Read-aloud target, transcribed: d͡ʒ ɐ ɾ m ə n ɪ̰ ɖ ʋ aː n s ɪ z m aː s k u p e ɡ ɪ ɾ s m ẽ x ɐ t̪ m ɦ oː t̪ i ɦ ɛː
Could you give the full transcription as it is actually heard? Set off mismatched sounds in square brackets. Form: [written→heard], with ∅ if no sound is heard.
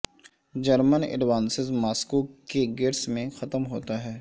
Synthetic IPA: d͡ʒ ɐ ɾ m ə n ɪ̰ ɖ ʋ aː n s ɪ z m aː s k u [p→k] e ɡ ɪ ɾ s m ẽ x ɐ t̪ m ɦ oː t̪ [i→a] ɦ ɛː